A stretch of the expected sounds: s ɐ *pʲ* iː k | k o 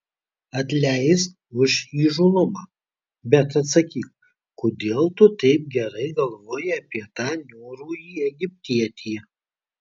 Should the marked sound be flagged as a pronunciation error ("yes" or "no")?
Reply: yes